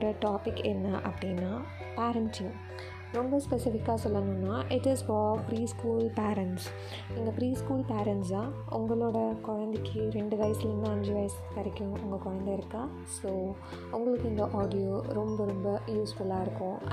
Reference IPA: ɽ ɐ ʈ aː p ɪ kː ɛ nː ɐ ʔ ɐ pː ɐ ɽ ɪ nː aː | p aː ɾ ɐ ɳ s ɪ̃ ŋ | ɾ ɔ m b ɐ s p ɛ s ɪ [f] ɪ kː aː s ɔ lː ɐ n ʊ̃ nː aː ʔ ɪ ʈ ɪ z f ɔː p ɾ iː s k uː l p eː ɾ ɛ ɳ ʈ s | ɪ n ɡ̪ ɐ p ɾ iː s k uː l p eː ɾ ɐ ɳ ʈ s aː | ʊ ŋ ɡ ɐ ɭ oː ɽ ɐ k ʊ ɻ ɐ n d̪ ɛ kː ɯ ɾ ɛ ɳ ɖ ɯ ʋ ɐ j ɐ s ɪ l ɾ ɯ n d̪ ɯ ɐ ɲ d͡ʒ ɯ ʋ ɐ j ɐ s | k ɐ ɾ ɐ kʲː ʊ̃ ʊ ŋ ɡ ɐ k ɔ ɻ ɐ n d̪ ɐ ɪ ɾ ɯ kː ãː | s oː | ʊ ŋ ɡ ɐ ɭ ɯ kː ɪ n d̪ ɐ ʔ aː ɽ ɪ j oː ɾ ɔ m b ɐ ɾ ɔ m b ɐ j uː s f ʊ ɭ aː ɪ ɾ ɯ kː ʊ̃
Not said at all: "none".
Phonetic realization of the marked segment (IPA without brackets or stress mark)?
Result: f